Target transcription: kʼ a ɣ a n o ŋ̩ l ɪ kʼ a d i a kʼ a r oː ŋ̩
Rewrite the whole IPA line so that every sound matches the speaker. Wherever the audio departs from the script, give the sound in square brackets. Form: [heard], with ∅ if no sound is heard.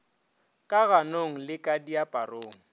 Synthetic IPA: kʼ a ɣ a n o ŋ̩ l ɪ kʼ a d i a [pʼ] a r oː ŋ̩